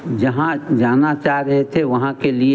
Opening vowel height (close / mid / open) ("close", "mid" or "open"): open